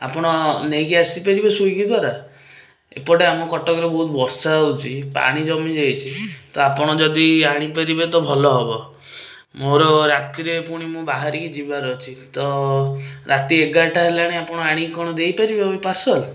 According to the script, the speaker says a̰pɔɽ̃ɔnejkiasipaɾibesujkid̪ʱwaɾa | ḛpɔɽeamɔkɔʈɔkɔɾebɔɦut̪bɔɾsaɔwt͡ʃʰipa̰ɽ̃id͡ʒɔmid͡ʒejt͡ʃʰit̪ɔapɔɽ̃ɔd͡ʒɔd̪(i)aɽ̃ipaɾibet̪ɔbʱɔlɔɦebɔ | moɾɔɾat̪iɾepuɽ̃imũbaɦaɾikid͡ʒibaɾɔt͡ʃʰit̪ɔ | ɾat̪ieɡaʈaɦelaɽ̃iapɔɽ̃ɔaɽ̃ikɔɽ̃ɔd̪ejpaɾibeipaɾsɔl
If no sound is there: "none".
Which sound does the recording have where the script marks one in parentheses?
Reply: i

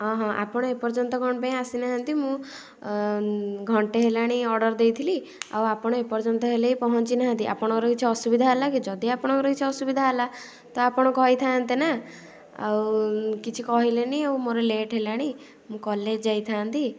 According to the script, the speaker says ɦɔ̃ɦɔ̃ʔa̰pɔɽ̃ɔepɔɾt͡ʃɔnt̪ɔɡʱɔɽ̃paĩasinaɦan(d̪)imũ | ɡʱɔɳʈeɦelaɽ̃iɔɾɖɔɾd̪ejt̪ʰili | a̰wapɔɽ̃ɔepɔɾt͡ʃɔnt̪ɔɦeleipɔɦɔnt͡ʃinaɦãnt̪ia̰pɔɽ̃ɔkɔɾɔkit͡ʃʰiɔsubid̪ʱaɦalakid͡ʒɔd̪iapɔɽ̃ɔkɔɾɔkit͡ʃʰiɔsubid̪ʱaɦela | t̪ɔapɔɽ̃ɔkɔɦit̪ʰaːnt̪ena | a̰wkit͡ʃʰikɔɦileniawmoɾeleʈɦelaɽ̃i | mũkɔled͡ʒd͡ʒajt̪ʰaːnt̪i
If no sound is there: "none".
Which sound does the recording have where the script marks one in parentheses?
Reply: t̪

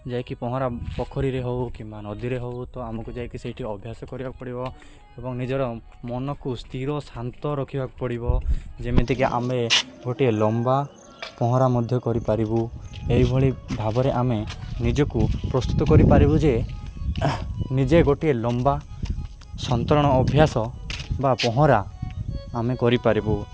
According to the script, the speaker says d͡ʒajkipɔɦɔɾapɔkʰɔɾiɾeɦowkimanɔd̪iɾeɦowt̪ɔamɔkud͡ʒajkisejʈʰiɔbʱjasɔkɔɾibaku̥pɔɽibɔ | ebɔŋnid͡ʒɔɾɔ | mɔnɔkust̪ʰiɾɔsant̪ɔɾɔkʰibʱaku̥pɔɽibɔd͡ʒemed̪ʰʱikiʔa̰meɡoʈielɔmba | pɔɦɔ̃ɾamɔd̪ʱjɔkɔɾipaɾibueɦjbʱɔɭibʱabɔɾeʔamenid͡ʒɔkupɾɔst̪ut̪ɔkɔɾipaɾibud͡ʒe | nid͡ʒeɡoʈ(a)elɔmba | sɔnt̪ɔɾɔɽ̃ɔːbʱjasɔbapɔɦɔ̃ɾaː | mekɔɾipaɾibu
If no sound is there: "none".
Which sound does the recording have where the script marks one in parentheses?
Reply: i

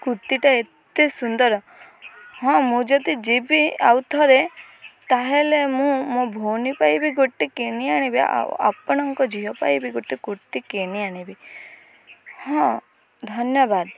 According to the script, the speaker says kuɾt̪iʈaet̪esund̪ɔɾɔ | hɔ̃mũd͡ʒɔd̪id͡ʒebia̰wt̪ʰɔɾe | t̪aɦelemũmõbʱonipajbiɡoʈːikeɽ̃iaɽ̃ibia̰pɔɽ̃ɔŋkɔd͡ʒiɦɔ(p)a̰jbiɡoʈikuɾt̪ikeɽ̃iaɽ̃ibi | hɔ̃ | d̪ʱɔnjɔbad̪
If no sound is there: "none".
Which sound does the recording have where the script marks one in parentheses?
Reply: p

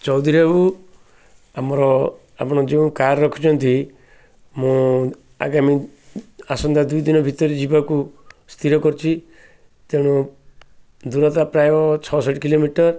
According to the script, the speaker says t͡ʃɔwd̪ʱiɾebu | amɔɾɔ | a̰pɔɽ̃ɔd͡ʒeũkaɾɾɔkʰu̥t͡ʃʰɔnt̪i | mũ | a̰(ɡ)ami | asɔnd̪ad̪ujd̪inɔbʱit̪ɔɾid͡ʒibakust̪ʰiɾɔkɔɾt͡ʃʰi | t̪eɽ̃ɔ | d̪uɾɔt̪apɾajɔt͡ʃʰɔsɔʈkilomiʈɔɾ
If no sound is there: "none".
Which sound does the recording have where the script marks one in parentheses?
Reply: ɡ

